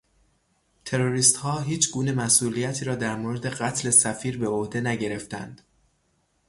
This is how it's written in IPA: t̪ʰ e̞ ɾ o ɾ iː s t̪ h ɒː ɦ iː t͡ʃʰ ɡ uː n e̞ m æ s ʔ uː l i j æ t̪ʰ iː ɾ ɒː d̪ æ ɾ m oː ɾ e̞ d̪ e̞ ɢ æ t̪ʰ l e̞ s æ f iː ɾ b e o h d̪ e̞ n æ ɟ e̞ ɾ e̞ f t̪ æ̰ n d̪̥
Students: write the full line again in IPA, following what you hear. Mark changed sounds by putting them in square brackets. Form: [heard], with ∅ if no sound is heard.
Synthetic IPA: t̪ʰ e̞ ɾ o ɾ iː s t̪ h ɒː ɦ iː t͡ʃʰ ɡ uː n e̞ m æ s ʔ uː l i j æ t̪ʰ iː ɾ ɒː d̪ æ ɾ m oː ɾ e̞ d̪ e̞ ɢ æ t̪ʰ l e̞ s æ f iː ɾ b e o h d̪ e̞ n æ ɟ e̞ ɾ e̞ f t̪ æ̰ n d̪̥